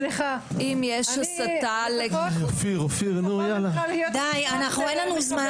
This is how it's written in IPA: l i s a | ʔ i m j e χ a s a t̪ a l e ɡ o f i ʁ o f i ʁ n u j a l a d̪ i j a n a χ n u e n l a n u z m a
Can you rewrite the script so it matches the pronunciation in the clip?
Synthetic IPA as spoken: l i χ a | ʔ i m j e ʃ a s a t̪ a l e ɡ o f i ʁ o f i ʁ n u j a l a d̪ a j a n a χ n u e n l a n u z m a